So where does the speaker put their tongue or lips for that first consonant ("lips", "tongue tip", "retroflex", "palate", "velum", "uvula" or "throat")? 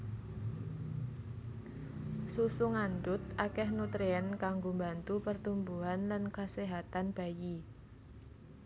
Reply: tongue tip